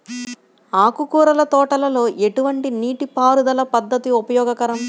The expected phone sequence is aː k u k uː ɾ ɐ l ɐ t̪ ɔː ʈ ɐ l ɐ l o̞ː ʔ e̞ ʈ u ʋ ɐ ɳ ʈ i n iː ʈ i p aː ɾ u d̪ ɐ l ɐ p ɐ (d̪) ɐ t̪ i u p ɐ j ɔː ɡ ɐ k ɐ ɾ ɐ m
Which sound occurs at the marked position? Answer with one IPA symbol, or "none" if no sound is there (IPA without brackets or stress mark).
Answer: d̪ː